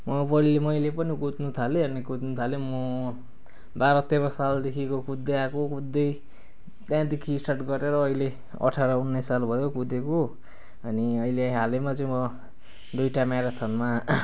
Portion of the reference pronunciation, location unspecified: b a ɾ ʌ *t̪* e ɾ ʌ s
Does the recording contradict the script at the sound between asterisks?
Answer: no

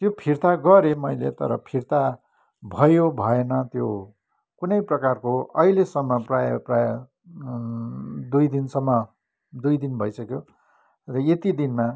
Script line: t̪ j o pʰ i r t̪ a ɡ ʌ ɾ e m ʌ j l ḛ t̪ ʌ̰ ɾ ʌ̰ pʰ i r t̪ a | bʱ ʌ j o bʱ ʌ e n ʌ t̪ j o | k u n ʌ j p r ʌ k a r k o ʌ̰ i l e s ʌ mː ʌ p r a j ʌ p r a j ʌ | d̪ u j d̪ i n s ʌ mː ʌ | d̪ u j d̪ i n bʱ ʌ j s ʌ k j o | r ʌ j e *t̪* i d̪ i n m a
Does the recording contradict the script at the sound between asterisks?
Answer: no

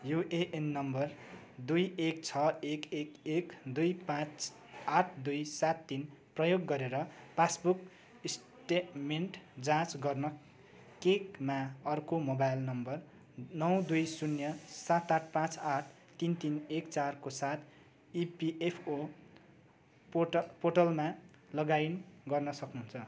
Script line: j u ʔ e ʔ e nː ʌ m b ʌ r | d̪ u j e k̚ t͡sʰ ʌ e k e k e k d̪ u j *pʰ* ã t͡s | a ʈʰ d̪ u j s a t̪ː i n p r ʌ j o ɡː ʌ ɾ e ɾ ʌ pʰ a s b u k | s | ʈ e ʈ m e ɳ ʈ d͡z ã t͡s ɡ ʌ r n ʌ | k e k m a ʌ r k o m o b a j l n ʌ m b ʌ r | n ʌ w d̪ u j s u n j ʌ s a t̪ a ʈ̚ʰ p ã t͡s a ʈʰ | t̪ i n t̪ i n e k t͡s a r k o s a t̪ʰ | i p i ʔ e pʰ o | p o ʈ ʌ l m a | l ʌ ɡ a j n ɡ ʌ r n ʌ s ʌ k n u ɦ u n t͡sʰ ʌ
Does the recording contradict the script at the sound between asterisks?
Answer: yes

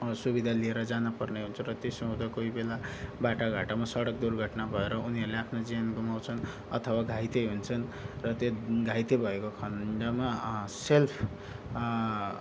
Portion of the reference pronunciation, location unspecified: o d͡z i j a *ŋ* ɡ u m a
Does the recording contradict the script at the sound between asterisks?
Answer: yes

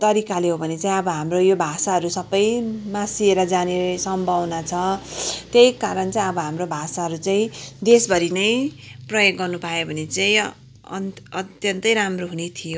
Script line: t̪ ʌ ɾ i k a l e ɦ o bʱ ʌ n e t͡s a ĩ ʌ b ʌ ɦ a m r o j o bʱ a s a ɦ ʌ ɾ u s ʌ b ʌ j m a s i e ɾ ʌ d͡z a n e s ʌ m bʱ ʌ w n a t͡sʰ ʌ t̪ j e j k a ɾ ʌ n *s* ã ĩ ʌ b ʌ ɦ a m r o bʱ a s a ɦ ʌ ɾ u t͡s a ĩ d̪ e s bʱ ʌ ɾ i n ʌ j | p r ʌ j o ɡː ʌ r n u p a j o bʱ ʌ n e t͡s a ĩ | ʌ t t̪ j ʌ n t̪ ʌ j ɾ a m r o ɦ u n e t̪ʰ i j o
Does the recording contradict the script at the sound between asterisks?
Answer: yes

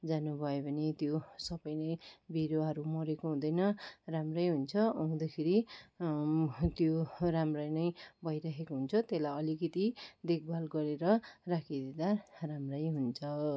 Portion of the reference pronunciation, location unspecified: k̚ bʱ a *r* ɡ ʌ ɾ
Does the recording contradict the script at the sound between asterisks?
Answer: yes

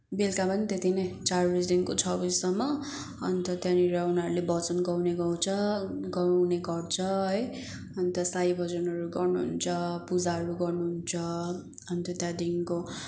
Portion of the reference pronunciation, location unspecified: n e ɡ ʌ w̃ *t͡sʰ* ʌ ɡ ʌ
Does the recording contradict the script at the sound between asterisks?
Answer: no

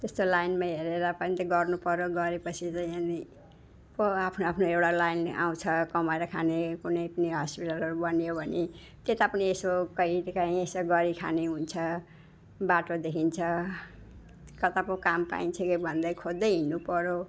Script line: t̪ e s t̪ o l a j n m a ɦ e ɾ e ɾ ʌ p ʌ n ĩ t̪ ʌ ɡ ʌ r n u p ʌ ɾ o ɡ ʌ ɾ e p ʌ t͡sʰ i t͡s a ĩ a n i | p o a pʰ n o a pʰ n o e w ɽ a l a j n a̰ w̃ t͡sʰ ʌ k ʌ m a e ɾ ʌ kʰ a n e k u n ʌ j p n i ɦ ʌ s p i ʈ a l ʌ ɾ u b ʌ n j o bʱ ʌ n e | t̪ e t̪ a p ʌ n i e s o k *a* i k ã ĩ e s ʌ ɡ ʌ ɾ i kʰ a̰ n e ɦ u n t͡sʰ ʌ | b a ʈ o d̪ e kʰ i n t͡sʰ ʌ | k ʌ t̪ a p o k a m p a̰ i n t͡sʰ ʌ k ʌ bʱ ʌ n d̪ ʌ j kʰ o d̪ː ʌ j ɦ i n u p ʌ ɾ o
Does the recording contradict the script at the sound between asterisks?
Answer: yes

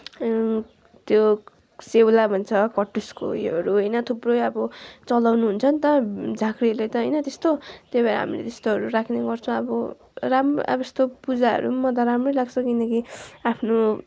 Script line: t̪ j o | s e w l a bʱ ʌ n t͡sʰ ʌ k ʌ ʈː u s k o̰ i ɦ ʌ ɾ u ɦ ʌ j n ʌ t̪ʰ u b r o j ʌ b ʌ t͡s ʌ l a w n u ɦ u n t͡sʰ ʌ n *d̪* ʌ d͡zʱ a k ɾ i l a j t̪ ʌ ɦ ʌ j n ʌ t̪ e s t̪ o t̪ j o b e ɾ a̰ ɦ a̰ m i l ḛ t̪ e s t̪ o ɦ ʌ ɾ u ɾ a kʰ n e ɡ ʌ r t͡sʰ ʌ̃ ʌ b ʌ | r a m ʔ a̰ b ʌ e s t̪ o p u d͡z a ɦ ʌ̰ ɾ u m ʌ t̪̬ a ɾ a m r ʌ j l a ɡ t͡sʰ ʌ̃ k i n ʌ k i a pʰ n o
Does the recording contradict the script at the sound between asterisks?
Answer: yes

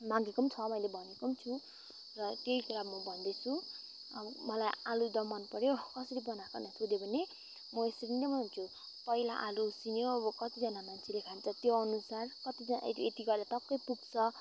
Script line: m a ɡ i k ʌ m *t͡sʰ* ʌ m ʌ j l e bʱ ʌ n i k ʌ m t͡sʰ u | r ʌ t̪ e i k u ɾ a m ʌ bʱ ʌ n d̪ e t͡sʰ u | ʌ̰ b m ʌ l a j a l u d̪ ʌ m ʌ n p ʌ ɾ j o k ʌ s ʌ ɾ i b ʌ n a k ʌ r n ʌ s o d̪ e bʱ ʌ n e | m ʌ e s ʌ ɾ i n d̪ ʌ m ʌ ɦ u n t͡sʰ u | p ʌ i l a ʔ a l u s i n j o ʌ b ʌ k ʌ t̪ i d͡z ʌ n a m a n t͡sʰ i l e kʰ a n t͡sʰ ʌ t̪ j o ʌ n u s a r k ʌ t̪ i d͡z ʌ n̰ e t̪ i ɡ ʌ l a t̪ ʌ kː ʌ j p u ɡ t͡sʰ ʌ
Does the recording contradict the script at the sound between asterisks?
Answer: no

